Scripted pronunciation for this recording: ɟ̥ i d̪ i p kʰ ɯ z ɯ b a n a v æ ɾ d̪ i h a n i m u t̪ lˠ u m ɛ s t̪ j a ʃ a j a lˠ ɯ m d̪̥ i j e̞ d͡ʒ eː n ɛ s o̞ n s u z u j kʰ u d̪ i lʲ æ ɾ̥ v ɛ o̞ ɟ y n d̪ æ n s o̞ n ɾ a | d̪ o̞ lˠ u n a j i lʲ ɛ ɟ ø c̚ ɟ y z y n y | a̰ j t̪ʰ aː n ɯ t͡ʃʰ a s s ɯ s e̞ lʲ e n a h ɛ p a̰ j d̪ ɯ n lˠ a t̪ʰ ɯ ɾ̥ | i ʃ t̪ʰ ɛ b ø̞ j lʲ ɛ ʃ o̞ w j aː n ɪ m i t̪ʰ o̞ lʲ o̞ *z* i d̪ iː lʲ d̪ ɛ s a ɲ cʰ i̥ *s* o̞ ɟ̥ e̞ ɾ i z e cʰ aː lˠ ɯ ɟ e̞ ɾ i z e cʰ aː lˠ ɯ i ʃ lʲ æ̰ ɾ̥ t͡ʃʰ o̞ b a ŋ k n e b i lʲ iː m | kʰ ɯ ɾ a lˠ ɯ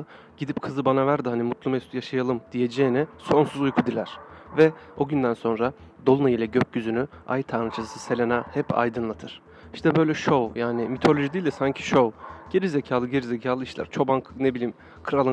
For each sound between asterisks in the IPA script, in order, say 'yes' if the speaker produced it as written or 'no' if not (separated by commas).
no, no